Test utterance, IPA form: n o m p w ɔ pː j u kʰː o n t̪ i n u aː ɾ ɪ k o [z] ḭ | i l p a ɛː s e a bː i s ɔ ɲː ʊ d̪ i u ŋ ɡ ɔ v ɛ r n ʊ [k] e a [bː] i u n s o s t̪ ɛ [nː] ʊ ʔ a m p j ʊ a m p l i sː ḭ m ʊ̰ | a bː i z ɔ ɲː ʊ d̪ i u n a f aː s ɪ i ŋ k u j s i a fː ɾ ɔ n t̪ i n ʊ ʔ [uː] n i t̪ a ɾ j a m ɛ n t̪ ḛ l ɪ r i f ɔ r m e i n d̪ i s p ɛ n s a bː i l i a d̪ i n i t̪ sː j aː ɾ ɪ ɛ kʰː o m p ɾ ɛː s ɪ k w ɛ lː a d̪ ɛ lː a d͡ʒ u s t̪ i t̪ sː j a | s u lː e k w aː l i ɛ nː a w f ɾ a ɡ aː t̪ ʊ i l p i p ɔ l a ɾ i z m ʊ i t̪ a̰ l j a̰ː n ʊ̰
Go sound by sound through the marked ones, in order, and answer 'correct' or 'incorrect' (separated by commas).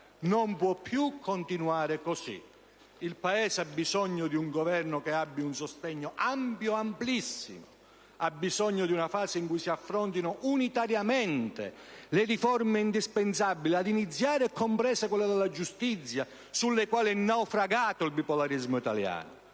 incorrect, correct, correct, incorrect, incorrect